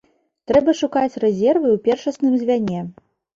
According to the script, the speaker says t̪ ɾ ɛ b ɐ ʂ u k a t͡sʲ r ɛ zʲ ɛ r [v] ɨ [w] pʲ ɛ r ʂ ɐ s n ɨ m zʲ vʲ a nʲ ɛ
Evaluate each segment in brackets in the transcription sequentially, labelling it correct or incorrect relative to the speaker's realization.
correct, correct

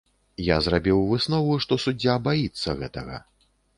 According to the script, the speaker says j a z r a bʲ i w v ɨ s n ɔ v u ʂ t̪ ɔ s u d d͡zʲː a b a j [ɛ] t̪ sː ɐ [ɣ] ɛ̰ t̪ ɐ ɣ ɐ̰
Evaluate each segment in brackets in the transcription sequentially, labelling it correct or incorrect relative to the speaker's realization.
incorrect: i, correct

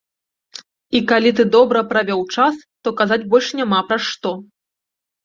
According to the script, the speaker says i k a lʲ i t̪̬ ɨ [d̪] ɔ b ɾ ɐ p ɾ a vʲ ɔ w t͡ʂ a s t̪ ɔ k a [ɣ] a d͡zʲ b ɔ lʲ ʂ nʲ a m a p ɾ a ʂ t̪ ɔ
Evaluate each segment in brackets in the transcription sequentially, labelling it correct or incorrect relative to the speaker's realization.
correct, incorrect: z

